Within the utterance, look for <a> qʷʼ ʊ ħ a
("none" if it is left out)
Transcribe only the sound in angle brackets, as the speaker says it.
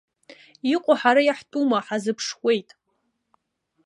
i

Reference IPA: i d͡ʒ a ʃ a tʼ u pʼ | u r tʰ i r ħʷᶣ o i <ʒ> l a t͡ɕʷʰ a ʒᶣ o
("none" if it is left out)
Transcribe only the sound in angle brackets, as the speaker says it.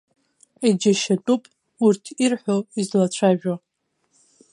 z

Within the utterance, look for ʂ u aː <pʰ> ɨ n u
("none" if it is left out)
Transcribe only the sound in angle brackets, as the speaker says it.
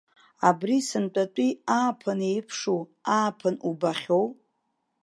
pʰ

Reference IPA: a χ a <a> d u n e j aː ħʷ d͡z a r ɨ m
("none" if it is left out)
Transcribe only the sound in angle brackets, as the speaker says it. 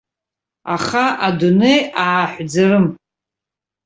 a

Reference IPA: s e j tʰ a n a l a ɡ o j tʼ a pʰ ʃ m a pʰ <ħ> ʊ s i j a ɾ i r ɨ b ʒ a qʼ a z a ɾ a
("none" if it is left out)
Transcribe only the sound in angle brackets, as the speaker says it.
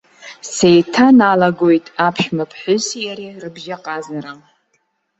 ħ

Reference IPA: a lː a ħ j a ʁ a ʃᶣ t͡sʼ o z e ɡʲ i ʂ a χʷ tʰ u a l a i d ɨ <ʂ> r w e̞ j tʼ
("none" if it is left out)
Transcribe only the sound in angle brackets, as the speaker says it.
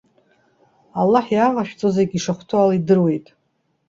none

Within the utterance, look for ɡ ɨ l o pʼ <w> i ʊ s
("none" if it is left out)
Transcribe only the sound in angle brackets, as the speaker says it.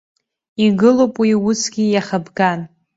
w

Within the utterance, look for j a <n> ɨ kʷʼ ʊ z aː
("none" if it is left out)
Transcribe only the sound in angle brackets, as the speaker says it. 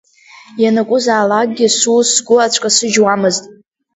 n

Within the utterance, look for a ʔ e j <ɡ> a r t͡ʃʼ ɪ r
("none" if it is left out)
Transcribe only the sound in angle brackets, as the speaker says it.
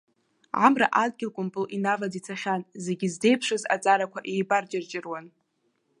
b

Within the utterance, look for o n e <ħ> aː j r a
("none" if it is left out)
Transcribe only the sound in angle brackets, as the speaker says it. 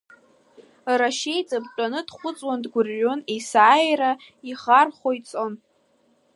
s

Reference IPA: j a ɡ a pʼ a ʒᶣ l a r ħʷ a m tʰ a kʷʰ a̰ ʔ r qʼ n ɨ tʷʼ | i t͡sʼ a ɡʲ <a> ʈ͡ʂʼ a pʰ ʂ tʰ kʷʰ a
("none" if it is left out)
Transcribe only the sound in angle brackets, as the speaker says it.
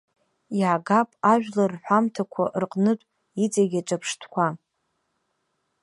a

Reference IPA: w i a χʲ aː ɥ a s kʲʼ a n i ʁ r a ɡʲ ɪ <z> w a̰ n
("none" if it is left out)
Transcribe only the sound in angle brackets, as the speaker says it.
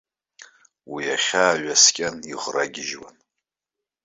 ʒ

